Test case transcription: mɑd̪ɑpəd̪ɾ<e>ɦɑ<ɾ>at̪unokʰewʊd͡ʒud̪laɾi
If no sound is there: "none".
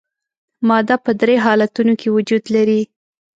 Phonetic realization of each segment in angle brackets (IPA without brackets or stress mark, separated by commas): e, l